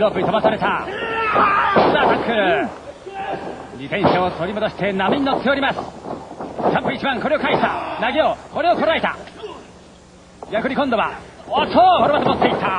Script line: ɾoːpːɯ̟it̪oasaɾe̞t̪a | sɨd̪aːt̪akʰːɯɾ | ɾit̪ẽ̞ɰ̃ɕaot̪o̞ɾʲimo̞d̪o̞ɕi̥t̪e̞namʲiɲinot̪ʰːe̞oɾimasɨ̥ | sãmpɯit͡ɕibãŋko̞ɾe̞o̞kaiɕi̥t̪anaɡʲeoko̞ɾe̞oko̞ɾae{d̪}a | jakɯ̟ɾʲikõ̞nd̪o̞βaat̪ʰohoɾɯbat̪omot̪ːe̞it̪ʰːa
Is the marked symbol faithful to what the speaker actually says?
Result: no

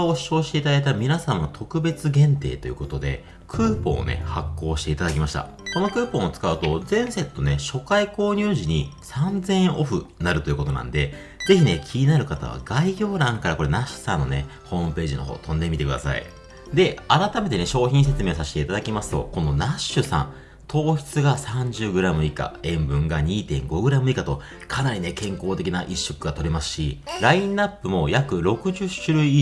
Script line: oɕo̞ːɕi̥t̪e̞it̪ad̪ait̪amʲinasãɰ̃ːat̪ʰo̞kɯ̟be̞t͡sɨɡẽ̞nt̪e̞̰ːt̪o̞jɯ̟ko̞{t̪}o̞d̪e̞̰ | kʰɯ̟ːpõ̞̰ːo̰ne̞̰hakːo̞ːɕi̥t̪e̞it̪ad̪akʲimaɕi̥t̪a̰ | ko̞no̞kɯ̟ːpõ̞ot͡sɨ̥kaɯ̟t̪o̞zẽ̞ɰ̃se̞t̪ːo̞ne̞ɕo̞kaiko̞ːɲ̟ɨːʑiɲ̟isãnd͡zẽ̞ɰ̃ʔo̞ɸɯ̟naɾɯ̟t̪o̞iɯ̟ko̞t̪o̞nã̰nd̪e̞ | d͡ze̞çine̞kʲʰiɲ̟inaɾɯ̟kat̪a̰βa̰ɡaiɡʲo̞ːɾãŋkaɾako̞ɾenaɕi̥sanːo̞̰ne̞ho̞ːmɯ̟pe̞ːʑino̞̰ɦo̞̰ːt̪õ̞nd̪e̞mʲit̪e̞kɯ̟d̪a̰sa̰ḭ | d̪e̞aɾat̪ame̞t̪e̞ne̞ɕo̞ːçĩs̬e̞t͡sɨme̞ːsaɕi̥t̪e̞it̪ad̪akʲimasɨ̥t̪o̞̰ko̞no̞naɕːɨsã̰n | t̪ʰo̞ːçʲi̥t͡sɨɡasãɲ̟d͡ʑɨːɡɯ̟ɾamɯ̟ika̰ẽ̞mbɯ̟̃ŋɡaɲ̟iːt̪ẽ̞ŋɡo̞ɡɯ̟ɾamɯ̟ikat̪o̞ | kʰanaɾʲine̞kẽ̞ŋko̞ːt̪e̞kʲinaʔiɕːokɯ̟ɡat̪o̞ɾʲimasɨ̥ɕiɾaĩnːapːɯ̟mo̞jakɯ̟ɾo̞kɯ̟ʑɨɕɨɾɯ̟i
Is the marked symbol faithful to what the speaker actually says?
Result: yes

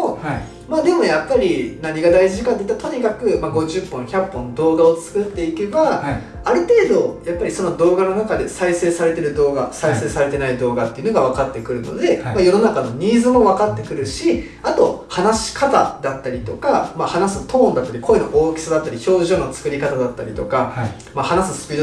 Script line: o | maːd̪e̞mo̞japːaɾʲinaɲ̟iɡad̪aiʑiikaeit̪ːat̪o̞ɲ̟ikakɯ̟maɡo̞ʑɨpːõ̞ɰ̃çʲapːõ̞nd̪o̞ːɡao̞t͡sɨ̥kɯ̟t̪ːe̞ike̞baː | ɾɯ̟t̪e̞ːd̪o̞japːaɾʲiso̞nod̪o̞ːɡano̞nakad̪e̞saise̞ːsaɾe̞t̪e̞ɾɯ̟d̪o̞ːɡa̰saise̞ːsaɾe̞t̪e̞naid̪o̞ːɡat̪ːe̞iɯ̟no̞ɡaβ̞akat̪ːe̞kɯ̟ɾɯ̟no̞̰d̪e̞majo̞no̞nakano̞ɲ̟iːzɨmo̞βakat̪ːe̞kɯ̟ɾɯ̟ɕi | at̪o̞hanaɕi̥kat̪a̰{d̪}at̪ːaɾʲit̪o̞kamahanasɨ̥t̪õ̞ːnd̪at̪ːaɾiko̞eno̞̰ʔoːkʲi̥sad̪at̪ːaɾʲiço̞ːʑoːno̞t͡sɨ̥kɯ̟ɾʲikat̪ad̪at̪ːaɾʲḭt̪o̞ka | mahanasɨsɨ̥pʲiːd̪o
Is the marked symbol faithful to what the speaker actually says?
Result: yes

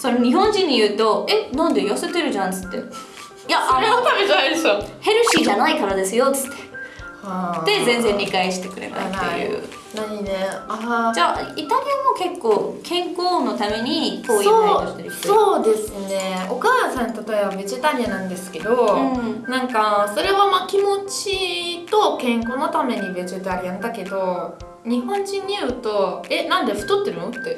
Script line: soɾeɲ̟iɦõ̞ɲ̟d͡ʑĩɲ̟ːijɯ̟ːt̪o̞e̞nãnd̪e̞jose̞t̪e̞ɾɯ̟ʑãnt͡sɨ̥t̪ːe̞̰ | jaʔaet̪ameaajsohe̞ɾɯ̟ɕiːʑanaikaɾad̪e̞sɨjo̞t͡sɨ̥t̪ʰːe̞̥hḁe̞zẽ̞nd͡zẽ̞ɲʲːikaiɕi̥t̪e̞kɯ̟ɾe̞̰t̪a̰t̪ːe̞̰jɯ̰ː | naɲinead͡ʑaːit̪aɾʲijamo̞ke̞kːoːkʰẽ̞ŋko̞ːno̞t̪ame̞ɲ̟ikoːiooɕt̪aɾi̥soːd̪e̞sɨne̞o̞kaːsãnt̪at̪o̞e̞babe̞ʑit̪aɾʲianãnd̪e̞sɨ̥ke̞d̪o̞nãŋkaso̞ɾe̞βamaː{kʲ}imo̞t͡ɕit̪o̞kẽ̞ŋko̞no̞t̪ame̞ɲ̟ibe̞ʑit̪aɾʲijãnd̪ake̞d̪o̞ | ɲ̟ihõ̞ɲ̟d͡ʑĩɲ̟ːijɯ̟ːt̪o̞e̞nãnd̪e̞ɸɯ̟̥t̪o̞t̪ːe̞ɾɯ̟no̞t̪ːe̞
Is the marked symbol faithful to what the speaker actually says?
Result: yes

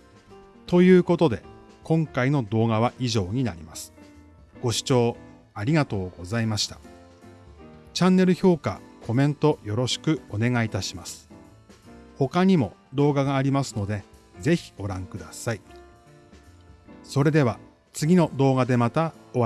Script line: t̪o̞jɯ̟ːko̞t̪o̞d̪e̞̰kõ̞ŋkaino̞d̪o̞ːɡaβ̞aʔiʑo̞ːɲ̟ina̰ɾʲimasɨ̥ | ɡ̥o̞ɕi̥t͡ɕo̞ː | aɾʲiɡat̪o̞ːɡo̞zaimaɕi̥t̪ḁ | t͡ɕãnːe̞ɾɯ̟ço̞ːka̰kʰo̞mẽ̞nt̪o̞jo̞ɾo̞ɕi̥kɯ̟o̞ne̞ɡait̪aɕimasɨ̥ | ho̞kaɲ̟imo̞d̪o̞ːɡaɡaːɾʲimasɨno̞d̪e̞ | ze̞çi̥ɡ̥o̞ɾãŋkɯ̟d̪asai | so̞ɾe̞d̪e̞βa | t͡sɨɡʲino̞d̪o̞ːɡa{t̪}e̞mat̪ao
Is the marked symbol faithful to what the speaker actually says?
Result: no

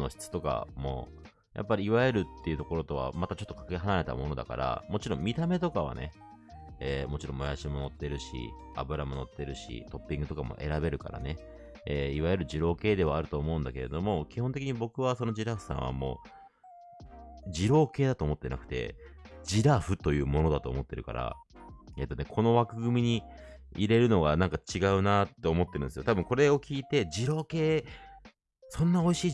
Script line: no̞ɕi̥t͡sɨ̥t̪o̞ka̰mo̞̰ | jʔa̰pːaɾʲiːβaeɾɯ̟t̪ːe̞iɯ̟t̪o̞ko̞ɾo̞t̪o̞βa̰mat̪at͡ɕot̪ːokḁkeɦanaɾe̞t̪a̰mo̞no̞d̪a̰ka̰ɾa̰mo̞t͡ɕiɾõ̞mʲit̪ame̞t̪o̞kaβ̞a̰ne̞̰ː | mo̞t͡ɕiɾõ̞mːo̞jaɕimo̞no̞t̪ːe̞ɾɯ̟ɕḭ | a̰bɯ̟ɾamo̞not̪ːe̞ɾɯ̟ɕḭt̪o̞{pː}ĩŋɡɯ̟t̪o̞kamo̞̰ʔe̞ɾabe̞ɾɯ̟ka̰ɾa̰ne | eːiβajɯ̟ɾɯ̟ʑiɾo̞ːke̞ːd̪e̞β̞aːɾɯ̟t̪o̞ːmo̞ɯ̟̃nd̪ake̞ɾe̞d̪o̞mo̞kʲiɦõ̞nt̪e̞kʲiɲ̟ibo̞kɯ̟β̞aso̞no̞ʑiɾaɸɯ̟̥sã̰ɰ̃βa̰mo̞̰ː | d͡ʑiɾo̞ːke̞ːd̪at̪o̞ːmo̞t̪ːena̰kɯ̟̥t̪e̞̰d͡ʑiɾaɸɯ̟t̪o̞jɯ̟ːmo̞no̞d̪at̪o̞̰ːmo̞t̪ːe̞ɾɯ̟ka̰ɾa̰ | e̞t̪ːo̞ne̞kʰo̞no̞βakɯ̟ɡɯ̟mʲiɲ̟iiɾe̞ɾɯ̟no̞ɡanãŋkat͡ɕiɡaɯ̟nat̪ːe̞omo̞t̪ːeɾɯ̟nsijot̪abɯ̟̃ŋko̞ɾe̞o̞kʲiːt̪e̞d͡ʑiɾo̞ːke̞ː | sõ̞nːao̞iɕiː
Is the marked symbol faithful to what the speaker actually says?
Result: yes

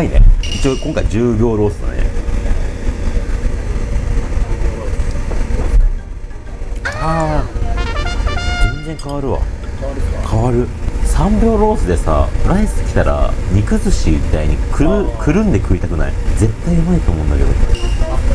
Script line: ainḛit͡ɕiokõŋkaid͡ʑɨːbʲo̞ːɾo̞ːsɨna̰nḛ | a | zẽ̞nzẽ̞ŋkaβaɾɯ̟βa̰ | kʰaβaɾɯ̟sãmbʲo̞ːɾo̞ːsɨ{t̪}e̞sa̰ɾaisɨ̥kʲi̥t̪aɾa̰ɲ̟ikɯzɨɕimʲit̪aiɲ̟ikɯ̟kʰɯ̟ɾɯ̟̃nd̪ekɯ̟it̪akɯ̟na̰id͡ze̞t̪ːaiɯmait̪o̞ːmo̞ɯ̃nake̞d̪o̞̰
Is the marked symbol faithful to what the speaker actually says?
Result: no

